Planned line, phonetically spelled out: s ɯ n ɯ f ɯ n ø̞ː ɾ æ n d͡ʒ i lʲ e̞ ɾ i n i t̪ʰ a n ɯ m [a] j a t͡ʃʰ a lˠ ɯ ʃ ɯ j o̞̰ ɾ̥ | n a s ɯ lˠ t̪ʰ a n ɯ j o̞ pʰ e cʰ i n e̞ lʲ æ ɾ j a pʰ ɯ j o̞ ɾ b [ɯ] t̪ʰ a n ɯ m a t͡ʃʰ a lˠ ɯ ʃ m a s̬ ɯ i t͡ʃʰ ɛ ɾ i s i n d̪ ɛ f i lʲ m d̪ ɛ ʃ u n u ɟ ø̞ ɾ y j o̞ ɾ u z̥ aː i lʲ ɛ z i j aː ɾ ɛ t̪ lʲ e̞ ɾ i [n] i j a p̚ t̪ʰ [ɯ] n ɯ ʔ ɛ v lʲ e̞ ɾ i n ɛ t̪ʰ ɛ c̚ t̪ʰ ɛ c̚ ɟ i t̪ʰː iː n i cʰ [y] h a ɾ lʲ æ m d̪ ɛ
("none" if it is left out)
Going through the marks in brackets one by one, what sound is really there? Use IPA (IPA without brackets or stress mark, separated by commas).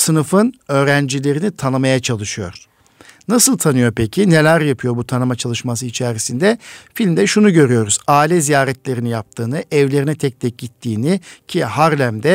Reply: a, u, n, ɯː, i